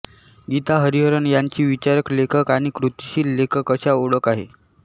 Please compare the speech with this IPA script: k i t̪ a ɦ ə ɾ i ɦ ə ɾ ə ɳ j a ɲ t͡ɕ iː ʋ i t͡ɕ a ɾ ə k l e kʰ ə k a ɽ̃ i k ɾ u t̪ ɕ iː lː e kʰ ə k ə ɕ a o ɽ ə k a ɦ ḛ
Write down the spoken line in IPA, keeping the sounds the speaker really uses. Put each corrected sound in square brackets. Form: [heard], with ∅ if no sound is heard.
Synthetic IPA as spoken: [ɡ] i t̪ a ɦ ə ɾ i ɦ ə ɾ ə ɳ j a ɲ t͡ɕ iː ʋ i t͡ɕ a ɾ ə k l e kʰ ə k a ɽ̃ i k ɾ u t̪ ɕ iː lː e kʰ ə k ə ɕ a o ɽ ə k a ɦ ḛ